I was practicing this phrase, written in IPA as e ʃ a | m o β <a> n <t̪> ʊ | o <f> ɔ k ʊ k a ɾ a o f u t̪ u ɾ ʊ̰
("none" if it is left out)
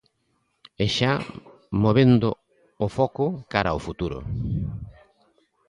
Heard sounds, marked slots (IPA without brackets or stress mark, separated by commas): e, d̪, f